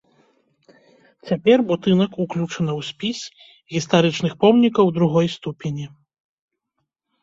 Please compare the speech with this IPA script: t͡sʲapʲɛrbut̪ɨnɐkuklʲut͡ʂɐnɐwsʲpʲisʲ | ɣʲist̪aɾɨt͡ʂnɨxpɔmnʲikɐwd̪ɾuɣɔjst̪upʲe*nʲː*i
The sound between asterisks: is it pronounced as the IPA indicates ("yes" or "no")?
no